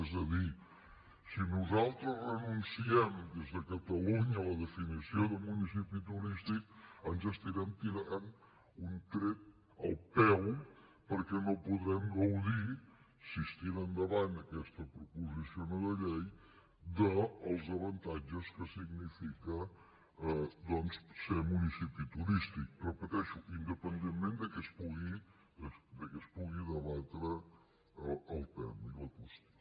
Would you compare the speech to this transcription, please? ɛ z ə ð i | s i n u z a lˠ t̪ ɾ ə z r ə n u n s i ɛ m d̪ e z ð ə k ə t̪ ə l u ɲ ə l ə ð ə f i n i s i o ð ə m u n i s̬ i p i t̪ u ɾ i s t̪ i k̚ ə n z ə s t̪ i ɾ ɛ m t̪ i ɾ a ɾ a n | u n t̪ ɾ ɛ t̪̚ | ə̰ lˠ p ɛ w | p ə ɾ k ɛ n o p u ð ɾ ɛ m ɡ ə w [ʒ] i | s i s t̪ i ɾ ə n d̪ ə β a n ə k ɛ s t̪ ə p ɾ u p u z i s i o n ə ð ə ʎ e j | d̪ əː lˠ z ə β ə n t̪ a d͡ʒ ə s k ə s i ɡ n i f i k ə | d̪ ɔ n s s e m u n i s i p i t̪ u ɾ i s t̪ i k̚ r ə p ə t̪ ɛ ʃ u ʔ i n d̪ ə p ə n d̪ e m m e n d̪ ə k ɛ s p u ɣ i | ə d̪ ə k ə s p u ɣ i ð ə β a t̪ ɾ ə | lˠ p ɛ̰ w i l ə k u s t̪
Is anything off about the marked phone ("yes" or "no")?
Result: yes